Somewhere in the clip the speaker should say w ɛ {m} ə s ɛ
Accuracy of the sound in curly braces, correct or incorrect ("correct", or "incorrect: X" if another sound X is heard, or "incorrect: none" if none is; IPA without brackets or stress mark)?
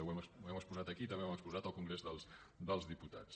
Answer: correct